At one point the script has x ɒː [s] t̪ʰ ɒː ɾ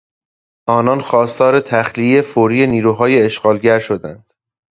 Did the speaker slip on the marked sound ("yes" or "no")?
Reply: no